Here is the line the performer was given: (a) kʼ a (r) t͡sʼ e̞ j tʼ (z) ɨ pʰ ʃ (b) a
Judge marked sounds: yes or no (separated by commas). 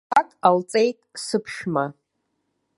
yes, no, no, no